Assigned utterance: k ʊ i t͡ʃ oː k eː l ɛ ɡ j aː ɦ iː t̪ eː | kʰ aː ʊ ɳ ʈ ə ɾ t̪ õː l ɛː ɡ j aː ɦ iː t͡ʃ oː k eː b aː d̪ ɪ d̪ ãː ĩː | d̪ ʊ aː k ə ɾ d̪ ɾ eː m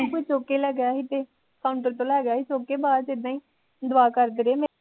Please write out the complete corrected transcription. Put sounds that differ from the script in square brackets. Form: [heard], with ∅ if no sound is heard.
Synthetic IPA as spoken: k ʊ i t͡ʃ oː k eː l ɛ ɡ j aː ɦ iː t̪ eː | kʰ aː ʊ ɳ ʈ ə ɾ t̪ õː l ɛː ɡ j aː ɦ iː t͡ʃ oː k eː b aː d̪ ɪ d̪ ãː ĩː | d̪ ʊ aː k ə ɾ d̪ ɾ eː m